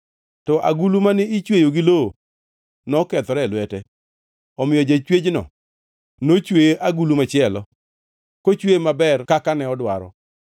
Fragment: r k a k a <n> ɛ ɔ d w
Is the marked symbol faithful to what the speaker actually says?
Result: yes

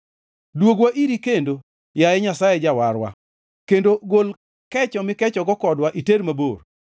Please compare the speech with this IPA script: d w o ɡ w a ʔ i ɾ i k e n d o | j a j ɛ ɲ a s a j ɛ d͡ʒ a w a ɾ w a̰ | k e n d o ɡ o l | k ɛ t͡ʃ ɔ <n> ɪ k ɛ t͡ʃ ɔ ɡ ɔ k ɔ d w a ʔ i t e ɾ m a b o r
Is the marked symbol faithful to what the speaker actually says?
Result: no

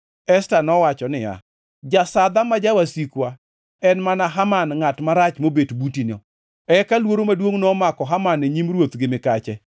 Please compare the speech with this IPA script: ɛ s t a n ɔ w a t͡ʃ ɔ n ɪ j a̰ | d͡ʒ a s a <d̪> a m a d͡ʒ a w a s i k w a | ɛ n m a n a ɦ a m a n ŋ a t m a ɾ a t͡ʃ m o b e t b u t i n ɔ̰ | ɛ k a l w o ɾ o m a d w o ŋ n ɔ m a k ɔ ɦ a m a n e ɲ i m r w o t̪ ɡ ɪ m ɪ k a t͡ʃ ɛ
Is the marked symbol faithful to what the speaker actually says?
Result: yes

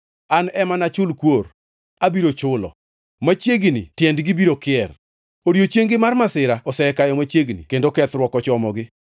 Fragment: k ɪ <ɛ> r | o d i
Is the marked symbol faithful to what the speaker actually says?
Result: yes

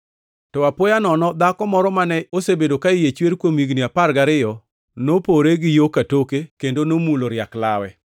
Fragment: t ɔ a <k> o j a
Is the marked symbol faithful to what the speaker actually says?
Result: no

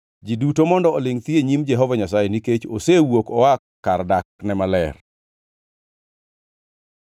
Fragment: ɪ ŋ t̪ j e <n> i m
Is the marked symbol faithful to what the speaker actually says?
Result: no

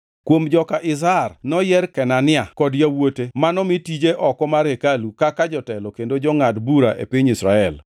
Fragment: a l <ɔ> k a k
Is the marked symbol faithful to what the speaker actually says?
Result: no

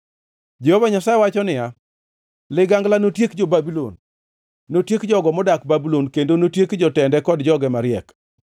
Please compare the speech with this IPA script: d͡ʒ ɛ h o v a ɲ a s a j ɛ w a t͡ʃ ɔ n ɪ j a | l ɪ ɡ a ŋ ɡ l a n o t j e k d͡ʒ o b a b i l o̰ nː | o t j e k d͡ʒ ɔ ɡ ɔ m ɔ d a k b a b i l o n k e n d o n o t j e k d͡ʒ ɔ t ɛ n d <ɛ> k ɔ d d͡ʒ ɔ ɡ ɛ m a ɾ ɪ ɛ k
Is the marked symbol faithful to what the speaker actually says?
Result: yes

